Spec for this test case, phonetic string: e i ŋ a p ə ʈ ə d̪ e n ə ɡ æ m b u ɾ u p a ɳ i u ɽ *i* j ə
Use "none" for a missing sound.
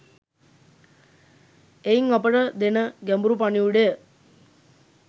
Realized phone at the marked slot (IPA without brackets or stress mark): e